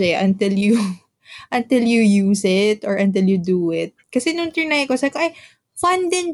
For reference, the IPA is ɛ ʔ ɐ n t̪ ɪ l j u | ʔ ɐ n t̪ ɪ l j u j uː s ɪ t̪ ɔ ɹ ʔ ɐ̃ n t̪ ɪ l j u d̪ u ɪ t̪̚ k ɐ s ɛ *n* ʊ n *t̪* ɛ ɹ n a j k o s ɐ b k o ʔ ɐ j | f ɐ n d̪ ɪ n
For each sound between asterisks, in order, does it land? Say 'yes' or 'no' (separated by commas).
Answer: yes, yes